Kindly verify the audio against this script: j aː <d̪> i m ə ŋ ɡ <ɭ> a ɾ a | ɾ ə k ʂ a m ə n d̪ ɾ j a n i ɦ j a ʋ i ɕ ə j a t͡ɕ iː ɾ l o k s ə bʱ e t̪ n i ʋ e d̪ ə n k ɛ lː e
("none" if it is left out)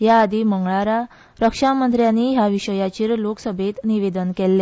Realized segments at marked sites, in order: d̪, ɭ

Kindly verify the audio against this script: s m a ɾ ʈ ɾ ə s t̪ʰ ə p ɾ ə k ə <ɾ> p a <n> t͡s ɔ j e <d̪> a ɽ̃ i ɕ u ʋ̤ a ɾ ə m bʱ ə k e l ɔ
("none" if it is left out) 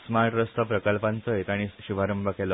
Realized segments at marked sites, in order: l, n, t̪

